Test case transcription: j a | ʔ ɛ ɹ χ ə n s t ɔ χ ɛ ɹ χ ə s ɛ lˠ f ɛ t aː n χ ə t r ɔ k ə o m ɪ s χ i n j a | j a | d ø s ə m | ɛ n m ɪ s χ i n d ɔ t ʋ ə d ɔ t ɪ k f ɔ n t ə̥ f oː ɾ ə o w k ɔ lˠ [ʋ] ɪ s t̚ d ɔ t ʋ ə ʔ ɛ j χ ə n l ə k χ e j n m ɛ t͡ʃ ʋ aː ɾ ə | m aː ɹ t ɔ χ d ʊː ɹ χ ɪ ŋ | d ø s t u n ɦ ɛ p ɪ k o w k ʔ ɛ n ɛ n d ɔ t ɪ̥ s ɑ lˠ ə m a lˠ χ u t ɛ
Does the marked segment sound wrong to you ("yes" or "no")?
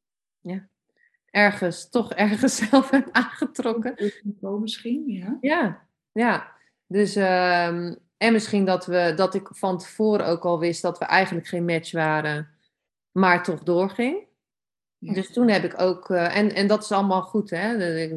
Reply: no